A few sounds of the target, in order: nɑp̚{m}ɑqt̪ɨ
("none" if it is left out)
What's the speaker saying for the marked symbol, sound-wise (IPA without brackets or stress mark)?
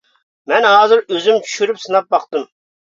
b